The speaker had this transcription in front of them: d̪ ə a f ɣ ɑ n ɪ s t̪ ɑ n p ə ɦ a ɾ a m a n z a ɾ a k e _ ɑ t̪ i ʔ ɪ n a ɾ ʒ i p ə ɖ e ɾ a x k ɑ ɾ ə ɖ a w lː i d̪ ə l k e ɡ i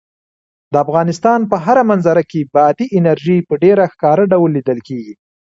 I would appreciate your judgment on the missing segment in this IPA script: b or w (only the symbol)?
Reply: b